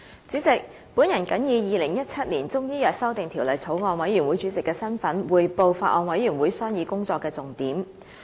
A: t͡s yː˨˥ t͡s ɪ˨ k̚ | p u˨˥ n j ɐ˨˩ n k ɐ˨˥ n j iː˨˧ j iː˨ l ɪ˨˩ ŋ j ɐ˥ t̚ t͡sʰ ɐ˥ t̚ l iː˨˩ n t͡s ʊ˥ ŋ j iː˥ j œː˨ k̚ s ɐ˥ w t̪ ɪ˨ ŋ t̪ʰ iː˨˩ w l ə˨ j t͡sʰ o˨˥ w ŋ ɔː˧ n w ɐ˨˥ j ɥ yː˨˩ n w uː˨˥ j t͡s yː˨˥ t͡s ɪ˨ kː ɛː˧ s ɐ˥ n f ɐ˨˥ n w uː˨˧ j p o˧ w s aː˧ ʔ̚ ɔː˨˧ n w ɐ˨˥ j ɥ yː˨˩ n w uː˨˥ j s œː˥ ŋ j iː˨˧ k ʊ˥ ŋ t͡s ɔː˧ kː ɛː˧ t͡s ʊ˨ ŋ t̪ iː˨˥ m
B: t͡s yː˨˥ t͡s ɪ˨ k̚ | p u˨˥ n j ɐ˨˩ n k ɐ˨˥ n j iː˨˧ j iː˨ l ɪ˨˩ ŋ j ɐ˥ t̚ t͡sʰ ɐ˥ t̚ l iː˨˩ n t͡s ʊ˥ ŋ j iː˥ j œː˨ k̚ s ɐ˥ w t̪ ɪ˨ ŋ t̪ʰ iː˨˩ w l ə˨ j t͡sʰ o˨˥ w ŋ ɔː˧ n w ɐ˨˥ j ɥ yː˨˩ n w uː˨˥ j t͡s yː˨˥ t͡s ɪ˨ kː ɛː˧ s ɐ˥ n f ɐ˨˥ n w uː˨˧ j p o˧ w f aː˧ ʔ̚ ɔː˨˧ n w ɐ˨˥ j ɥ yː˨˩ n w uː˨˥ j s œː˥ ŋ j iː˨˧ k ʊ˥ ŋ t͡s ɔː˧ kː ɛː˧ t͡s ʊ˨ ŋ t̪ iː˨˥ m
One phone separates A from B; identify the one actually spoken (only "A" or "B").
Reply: B